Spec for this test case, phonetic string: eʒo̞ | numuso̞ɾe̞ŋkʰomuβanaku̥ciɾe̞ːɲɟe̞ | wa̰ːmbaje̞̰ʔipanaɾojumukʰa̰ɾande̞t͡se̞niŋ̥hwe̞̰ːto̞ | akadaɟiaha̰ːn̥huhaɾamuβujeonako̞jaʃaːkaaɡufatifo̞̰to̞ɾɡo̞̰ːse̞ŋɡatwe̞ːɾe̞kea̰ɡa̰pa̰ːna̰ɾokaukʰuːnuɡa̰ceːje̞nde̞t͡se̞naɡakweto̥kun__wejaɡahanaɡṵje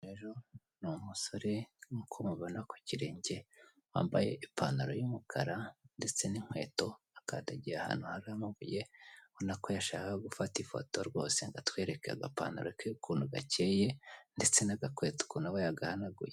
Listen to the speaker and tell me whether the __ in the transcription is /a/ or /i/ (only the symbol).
a